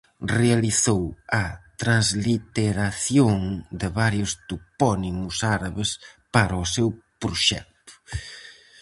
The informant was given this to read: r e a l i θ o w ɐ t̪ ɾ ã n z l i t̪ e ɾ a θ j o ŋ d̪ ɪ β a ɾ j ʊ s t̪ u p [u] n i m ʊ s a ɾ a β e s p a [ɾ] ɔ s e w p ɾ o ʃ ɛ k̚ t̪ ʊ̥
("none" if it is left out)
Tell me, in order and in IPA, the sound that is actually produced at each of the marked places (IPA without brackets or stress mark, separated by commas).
ɔ, ɾ